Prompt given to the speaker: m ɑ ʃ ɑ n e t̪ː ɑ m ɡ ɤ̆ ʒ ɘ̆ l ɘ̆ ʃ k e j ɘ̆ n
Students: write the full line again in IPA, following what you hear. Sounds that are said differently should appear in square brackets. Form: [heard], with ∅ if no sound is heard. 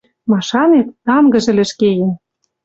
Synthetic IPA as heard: m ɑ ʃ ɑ n e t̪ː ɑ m ɡ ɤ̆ ʒ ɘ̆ l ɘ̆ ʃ k e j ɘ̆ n